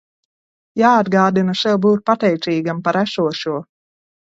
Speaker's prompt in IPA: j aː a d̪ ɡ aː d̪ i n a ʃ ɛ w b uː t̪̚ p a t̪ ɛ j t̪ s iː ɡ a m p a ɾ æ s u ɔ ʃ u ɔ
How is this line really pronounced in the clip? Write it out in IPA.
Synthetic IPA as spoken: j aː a d̪ ɡ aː d̪ i n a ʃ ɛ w b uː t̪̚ p a t̪ ɛ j t̪ s iː ɡ a m p a ɾ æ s u ɔ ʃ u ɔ